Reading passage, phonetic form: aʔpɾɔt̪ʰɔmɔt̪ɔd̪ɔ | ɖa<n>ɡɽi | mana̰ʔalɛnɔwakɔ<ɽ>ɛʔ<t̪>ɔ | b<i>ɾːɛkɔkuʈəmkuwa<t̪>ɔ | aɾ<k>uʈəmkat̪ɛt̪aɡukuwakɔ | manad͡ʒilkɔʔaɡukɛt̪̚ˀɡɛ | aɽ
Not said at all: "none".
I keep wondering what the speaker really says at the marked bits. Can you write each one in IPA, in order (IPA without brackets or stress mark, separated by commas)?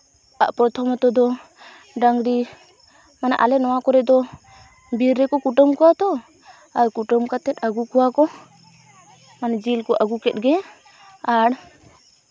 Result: ŋ, ɾ, d̪, i, t̪, k